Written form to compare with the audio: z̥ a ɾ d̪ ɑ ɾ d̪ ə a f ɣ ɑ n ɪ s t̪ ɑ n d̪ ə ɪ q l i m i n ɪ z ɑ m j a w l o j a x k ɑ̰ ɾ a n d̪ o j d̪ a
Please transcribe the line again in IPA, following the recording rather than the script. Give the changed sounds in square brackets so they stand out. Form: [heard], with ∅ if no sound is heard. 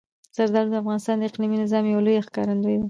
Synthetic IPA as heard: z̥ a ɾ d̪ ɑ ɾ d̪ ə a f ɣ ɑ n ɪ s t̪ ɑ n d̪ ə ɪ q l i m i n ɪ z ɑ m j a w l o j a x k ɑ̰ ɾ a n d̪ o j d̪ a